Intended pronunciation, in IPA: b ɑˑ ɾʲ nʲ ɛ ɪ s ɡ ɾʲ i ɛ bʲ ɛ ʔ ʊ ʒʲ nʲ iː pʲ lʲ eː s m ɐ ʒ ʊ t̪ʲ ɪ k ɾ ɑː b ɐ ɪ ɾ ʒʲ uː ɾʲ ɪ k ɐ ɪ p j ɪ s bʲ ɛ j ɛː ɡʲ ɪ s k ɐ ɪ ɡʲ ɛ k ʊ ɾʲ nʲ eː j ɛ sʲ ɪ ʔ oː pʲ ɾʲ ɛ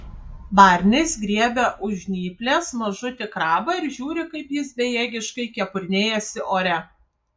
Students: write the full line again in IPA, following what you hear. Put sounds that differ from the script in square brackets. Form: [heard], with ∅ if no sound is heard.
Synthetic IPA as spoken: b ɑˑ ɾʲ nʲ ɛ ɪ s ɡ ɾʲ i ɛ bʲ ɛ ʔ ʊ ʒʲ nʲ iː pʲ lʲ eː s m ɐ ʒ ʊ t̪ʲ ɪ k ɾ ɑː b ɐ ɪ ɾ ʒʲ uː ɾʲ ɪ k ɐ ɪ p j ɪ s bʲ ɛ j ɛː ɡʲ ɪ [ʃ] k ɐ ɪ [kʲ] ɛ [p] ʊ ɾʲ nʲ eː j ɛ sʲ ɪ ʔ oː [∅] ɾʲ ɛ